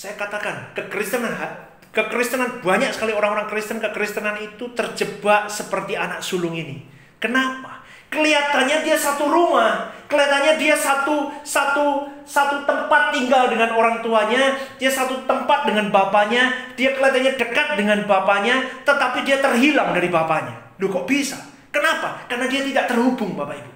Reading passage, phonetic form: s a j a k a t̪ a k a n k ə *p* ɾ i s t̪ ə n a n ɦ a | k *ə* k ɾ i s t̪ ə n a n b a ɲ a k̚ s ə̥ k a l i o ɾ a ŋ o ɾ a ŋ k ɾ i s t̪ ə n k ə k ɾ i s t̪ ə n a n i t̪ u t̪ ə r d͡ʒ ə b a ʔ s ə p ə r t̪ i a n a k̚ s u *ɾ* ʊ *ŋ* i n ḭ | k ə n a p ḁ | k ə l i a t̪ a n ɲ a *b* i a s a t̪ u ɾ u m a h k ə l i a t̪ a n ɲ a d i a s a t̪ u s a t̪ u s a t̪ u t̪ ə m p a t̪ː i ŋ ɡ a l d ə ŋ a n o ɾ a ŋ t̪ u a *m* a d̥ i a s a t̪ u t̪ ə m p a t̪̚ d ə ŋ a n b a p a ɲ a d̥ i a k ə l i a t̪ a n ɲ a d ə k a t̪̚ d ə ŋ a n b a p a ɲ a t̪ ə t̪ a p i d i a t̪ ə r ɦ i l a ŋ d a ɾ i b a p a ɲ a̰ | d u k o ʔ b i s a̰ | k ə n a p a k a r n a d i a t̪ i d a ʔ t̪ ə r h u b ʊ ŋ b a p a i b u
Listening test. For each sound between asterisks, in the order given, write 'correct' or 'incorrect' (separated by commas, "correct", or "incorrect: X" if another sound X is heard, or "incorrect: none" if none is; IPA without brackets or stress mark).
incorrect: k, correct, incorrect: l, correct, incorrect: d, incorrect: ɲ